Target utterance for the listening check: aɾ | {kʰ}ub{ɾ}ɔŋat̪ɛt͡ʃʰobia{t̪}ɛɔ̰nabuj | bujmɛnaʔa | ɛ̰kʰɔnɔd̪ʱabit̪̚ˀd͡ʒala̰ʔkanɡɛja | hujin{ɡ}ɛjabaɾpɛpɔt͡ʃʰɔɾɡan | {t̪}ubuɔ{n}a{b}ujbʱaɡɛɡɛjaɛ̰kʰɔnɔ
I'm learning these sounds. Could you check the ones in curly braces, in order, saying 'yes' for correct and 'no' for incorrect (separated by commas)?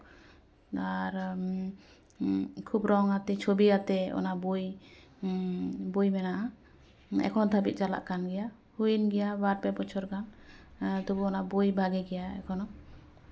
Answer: yes, yes, yes, yes, yes, yes, yes